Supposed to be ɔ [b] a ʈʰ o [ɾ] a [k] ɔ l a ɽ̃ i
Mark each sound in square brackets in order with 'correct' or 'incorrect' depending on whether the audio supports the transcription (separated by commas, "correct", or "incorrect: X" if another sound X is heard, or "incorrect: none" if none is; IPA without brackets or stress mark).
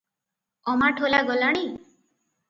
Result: incorrect: m, incorrect: l, incorrect: ɡ